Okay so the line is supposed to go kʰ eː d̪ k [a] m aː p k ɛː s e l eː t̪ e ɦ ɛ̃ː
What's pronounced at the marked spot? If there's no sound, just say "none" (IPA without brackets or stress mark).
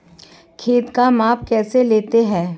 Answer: a